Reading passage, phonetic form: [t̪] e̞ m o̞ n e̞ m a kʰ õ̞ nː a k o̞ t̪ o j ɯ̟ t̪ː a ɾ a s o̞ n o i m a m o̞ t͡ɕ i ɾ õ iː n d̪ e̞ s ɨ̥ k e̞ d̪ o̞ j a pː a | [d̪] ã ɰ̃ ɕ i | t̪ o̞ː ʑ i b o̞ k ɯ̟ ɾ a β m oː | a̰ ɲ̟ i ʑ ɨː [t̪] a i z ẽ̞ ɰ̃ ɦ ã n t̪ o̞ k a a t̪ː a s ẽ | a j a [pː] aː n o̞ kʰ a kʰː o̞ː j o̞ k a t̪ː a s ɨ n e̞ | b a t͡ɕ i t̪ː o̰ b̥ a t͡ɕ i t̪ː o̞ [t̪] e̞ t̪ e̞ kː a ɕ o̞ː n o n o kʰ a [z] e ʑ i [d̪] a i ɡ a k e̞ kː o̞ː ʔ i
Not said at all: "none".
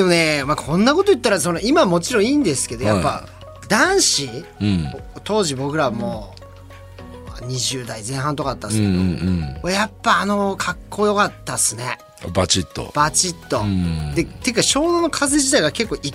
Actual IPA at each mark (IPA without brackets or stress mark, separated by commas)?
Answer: d̪, d̪, d̪, pː, d̪, z, t̪